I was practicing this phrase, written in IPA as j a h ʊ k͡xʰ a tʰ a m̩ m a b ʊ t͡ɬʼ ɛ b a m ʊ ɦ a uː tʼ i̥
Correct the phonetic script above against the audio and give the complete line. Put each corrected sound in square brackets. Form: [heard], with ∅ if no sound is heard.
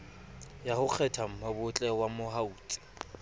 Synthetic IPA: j a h ʊ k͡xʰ [ɛ] tʰ a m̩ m a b ʊ t͡ɬʼ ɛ [w] a m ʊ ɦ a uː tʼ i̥